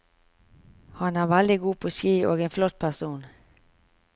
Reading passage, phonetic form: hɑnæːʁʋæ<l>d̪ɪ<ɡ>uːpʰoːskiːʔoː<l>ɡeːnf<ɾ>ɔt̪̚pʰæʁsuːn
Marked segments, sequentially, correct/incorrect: correct, correct, incorrect: none, incorrect: l

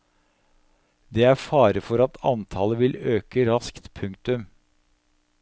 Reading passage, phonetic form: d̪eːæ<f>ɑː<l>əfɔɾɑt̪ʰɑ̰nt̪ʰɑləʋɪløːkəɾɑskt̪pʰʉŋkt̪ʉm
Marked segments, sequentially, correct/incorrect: correct, incorrect: ɾ

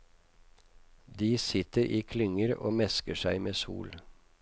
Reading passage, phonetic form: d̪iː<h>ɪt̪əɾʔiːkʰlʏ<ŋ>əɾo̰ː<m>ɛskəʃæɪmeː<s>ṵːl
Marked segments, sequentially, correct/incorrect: incorrect: s, correct, correct, correct

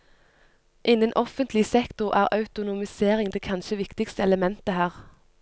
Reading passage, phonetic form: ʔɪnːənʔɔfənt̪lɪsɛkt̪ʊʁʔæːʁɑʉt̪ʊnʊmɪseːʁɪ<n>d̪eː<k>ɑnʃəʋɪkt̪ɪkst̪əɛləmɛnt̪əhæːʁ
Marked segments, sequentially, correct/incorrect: incorrect: ŋ, incorrect: kʰ

